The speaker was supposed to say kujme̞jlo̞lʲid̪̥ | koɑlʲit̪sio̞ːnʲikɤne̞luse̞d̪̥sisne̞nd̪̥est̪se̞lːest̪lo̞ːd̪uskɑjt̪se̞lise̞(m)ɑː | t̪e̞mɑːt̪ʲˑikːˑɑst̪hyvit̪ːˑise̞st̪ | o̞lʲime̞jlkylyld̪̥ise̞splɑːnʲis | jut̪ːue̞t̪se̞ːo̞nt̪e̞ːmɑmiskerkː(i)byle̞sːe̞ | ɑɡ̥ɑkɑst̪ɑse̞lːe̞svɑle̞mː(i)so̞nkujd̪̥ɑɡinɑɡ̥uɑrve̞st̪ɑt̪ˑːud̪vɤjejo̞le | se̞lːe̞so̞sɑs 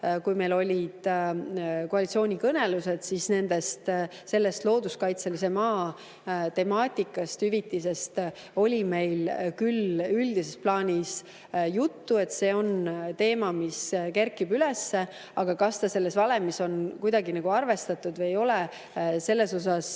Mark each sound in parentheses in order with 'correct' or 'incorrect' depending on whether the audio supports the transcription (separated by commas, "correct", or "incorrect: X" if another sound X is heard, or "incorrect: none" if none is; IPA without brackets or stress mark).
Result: correct, correct, correct